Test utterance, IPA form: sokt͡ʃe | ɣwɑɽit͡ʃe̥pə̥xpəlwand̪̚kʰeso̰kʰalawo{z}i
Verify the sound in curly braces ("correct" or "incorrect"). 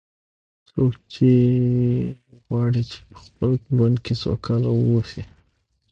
incorrect